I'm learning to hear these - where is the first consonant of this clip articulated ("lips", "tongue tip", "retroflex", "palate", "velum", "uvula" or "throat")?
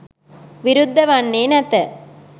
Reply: lips